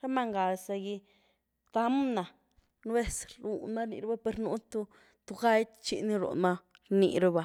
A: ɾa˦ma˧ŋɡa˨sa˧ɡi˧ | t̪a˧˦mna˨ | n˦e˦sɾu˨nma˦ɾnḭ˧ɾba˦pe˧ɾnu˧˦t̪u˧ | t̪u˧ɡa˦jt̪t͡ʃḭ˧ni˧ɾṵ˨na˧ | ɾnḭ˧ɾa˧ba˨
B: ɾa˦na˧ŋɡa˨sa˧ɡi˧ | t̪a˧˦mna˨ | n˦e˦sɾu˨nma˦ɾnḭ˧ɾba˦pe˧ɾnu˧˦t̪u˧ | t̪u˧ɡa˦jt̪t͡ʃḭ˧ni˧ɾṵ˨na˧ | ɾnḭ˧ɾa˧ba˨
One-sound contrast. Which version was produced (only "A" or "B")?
A